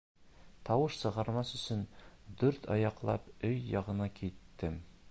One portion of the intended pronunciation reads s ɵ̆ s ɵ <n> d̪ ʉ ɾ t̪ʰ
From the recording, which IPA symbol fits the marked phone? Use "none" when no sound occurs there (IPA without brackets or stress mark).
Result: n